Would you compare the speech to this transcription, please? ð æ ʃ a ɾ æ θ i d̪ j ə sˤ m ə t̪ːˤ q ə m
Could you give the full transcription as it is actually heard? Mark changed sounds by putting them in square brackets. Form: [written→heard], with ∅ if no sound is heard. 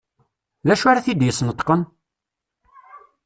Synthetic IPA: ð æ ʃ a ɾ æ θ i d̪ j ə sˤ [m→n] ə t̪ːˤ q ə [m→n]